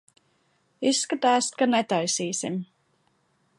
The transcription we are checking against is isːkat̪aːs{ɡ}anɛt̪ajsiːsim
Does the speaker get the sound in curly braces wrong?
yes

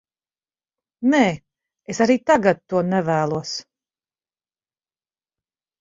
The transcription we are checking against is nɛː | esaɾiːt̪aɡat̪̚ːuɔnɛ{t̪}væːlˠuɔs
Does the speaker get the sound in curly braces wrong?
yes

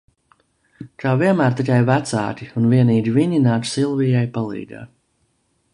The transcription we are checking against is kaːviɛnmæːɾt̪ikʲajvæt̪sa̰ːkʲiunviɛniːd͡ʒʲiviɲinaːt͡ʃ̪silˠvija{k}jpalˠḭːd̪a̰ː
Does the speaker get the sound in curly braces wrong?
yes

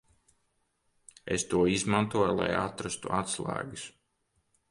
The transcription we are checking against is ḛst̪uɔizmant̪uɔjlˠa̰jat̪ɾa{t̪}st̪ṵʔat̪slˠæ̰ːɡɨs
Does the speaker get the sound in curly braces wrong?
yes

